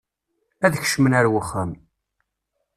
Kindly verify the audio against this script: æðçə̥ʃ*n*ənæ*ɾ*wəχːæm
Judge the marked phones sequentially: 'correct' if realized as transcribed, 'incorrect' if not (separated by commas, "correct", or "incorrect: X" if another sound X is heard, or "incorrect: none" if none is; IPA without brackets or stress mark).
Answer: incorrect: m, correct